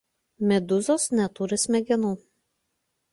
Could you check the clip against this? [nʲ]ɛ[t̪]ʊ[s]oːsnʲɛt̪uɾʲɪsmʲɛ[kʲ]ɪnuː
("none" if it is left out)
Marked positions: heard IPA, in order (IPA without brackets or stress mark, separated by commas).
mʲ, d̪, z, ɡʲ